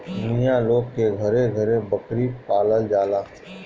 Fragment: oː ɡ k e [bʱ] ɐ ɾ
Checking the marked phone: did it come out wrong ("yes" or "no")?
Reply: yes